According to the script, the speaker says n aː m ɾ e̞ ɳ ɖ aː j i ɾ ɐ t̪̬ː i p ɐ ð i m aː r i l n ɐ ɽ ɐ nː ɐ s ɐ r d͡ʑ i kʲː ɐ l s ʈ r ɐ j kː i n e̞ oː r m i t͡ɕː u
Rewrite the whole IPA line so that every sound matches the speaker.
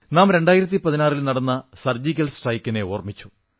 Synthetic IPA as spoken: n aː m ɾ e̞ ɳ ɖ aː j i ɾ ɐ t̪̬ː i p ɐ ð i n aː r i l n ɐ ɽ ɐ nː ɐ s ɐ r d͡ʑ i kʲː ɐ l s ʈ r ɐ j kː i n e̞ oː r m i t͡ɕː u